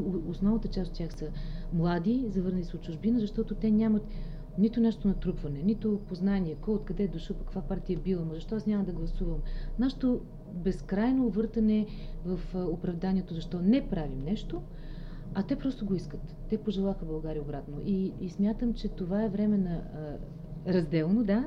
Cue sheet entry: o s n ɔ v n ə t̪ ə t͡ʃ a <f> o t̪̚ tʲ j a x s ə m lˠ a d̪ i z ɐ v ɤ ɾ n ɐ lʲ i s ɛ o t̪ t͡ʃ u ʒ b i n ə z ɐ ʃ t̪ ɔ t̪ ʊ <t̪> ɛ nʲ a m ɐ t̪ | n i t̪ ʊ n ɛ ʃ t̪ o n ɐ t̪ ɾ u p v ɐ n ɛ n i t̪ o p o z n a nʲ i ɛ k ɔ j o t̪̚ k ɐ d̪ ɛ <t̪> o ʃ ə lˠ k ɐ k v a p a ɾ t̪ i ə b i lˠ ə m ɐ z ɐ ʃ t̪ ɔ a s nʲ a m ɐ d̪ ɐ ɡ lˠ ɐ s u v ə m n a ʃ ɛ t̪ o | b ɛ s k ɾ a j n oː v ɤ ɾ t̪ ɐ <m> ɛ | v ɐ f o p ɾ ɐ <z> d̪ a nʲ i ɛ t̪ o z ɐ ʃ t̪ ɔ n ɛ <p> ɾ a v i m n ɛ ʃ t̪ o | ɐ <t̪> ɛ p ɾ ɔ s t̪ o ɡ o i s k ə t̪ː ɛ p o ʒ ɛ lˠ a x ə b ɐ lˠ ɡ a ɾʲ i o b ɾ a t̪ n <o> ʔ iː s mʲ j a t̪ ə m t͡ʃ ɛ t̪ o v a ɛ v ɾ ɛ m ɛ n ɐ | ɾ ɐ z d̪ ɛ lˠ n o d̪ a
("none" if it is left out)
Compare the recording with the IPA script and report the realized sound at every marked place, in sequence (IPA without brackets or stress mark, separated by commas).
s, t̪, d̪, n, v, p, t̪, o